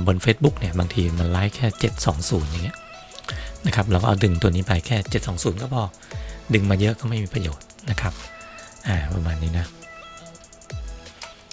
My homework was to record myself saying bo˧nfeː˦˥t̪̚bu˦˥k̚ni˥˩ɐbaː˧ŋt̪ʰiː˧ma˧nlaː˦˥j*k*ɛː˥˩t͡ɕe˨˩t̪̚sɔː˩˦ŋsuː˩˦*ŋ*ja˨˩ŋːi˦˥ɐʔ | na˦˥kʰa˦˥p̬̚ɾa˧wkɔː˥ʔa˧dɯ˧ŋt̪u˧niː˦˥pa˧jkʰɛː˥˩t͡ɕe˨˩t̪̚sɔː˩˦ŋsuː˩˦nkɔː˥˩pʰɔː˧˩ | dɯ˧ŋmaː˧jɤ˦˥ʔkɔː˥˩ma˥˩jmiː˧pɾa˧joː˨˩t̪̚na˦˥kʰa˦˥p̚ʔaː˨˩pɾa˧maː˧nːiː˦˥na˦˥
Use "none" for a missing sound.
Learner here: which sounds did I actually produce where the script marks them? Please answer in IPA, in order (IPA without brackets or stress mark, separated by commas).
kʰ, n